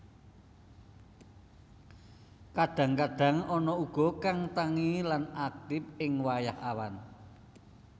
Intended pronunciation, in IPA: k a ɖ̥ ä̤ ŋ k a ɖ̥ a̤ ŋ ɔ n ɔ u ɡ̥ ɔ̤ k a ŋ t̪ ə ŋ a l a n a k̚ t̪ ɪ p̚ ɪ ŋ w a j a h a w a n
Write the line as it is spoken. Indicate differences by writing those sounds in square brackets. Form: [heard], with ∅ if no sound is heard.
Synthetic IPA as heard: k a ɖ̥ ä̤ ŋ k a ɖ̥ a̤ ŋ ɔ n ɔ u ɡ̥ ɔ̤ k a ŋ t̪ [a] ŋ [i] l a n a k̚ t̪ ɪ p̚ ɪ ŋ w a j a h a w a n